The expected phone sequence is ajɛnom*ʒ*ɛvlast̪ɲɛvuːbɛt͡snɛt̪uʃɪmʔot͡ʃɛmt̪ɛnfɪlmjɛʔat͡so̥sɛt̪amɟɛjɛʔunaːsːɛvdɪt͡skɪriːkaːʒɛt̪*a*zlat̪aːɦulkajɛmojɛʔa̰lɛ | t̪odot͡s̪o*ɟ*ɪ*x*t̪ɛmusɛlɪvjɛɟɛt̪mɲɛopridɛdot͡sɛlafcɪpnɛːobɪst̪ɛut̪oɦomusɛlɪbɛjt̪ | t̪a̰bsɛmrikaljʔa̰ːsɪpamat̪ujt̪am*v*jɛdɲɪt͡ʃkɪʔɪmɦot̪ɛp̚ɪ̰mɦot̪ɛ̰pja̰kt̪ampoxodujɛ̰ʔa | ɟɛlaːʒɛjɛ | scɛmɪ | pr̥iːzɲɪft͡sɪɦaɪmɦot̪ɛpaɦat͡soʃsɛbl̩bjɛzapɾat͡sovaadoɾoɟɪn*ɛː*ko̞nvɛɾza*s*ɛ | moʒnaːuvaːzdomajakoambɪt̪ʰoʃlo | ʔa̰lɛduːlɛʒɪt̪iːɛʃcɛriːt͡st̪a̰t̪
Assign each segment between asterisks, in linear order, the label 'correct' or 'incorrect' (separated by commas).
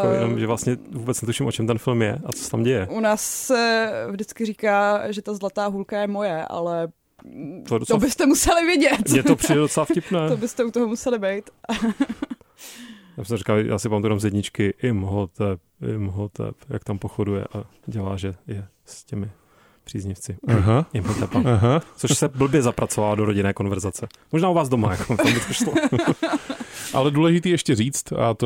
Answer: correct, correct, incorrect, incorrect, incorrect, correct, incorrect